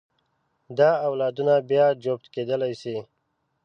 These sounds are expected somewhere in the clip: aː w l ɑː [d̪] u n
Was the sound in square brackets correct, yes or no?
yes